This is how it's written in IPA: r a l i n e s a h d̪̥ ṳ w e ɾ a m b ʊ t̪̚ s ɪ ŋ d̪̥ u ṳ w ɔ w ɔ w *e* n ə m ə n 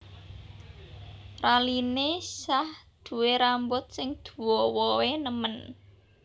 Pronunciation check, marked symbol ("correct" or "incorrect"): correct